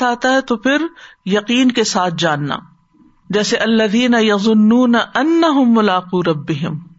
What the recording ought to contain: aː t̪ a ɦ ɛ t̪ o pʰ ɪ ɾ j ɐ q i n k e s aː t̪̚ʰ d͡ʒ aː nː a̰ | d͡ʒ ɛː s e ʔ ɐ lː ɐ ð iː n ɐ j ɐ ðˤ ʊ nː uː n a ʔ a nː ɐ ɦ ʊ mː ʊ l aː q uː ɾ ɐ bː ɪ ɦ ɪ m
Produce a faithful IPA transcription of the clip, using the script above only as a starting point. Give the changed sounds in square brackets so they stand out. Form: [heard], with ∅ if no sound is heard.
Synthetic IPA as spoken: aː t̪ a ɦ ɛ t̪ o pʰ ɪ ɾ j ɐ q [iː] n k e s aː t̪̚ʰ d͡ʒ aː nː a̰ | d͡ʒ ɛː s e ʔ ɐ lː ɐ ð iː n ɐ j ɐ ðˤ ʊ nː uː n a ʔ [ɐ] nː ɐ ɦ ʊ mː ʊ l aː q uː ɾ ɐ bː ɪ ɦ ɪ m